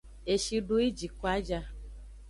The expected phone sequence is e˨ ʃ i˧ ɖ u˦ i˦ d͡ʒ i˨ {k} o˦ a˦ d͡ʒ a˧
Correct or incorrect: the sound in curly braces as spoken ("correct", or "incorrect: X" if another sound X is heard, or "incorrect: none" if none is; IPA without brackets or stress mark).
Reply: correct